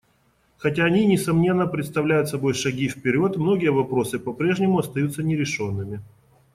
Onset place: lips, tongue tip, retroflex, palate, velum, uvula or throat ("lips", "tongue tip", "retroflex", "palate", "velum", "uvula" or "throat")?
velum